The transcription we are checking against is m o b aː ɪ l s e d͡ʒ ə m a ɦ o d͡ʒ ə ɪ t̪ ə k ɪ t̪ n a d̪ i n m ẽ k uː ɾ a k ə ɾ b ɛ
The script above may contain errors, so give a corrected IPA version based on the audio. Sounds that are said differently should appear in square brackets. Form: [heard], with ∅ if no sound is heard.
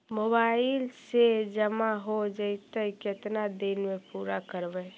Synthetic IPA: m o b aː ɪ l s e d͡ʒ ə m a ɦ o d͡ʒ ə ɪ t̪ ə k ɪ t̪ n a d̪ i n m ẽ [p] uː ɾ a k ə ɾ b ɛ